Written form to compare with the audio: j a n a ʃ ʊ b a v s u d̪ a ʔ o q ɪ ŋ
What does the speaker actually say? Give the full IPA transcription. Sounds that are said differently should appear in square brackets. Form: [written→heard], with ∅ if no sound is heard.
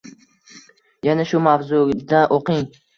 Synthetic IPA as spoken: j a n a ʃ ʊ [b→m] a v [s→z] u d̪ a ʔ o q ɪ ŋ